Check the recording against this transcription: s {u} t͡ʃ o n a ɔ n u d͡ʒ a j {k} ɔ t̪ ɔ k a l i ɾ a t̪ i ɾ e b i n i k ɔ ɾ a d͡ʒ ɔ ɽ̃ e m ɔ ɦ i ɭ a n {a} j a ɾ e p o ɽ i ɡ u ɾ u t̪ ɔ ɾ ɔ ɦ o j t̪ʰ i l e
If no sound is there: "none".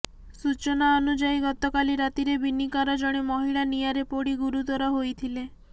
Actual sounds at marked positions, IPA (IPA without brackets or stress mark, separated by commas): u, ɡ, i